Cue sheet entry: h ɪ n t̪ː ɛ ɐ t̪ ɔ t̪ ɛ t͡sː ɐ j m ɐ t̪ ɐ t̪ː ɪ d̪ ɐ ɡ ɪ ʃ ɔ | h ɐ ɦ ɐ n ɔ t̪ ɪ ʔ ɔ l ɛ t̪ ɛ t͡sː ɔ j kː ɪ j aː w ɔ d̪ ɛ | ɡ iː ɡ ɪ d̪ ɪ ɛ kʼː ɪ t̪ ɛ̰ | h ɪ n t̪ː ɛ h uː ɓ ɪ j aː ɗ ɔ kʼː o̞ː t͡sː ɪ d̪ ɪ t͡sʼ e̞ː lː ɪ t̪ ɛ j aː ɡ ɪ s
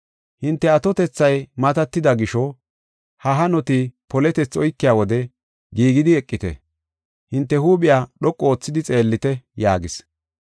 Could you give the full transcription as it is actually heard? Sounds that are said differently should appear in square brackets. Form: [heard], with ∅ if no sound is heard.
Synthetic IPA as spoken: h ɪ n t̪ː ɛ ɐ t̪ ɔ t̪ ɛ t͡sː ɐ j m ɐ t̪ ɐ t̪ː ɪ d̪ ɐ ɡ ɪ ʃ ɔ | h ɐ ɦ ɐ n ɔ t̪ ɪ [p] ɔ l ɛ t̪ ɛ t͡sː ɔ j kː ɪ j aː w ɔ d̪ ɛ | ɡ iː ɡ ɪ d̪ ɪ ɛ kʼː ɪ t̪ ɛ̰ | h ɪ n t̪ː ɛ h uː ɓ ɪ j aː ɗ ɔ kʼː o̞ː t͡sː ɪ d̪ ɪ t͡sʼ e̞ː lː ɪ t̪ ɛ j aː ɡ ɪ s